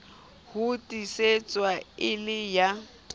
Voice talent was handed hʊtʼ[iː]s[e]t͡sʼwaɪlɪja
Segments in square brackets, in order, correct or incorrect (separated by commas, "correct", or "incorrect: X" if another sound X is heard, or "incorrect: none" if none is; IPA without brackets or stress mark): incorrect: i, correct